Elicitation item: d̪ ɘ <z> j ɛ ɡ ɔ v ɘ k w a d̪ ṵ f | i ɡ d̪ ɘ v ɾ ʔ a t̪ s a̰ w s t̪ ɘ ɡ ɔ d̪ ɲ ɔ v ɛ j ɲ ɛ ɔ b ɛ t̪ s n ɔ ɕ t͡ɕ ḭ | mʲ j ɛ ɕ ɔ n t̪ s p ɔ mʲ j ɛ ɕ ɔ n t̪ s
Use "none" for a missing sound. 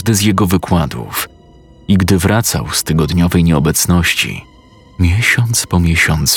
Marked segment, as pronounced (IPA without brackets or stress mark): z